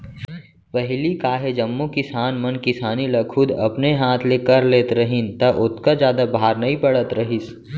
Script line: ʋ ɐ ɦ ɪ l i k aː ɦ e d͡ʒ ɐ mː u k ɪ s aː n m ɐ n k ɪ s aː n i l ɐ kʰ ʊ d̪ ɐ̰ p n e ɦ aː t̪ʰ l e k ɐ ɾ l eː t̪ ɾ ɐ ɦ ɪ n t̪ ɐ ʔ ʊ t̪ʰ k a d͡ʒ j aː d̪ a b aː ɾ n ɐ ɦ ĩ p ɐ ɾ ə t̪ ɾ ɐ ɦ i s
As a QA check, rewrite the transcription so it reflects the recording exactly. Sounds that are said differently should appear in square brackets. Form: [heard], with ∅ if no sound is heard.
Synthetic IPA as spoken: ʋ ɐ ɦ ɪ l i k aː ɦ e d͡ʒ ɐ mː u k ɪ s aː n m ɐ n k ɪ s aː n i l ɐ kʰ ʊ d̪ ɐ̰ p n e ɦ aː t̪ʰ l e k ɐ ɾ l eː t̪ ɾ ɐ ɦ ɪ n t̪ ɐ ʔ ʊ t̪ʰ k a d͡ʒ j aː d̪ a b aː ɾ n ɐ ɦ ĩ p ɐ [ɽ] ə t̪ ɾ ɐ ɦ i s